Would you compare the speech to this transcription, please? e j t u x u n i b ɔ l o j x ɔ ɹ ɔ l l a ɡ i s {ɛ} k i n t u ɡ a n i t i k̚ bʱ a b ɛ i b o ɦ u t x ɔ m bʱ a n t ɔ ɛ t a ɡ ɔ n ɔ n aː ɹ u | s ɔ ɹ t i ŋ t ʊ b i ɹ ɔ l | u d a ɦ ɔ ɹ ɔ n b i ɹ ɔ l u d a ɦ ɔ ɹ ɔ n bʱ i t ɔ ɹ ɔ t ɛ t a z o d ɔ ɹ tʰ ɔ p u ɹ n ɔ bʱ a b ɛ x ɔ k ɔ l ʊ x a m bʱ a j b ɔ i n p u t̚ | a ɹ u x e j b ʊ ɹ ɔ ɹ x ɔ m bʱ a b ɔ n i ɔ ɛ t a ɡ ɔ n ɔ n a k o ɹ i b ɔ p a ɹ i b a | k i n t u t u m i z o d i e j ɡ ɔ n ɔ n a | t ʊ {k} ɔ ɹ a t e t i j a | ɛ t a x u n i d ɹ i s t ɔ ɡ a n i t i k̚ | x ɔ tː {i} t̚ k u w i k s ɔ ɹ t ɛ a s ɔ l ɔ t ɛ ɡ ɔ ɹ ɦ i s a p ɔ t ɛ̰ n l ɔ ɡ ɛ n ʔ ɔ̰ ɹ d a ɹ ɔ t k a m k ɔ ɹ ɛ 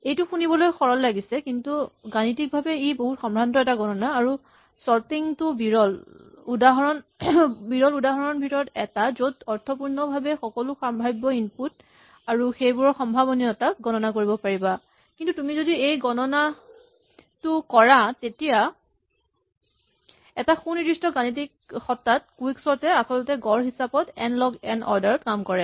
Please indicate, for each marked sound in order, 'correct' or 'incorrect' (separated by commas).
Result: correct, correct, incorrect